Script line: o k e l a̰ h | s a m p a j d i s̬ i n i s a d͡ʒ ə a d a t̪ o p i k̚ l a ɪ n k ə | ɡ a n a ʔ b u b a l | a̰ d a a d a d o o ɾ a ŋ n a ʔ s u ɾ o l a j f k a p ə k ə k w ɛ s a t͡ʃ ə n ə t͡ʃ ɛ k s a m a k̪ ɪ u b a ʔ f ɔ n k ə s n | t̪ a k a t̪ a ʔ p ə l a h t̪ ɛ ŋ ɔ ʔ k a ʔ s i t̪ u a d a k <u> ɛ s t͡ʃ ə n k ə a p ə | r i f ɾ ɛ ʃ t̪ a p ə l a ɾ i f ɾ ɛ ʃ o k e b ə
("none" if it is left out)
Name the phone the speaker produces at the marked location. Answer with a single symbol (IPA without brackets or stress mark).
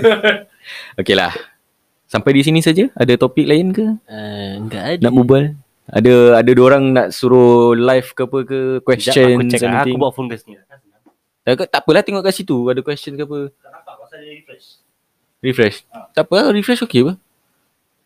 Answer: w